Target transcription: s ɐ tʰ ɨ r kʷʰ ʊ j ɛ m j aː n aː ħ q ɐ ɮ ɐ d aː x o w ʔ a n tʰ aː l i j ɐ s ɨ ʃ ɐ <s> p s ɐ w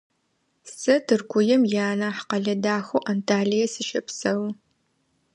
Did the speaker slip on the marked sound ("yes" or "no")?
yes